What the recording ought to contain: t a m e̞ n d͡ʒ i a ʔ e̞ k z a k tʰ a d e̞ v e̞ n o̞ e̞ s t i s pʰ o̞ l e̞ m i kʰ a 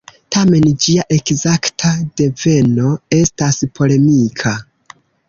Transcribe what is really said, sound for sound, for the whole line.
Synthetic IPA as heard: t a m e̞ n d͡ʒ i a ʔ e̞ k z a k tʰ a d e̞ v e̞ n o̞ e̞ s t a s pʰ o̞ l e̞ m i kʰ a